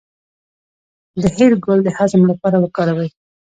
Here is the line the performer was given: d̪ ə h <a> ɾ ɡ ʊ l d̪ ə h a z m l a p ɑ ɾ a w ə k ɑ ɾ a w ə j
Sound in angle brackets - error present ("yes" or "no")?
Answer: yes